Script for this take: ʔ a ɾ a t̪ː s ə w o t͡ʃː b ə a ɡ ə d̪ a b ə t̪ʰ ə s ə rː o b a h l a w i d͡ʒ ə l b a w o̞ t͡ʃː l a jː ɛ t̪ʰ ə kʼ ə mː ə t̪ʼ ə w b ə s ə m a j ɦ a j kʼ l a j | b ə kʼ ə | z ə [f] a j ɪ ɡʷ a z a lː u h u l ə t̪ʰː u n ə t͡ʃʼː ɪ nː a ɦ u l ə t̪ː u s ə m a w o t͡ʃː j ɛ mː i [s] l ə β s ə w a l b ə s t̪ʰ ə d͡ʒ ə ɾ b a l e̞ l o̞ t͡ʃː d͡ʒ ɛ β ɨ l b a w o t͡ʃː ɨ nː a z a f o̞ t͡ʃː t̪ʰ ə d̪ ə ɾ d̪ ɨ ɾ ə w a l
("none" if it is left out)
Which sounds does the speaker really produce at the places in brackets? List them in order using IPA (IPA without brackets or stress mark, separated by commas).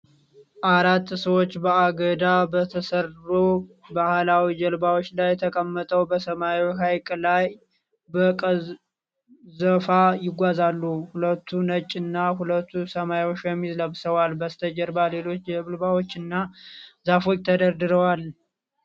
f, z